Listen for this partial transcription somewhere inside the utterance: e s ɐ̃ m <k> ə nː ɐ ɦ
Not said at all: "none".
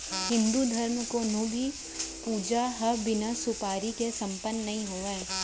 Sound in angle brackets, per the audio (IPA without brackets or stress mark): p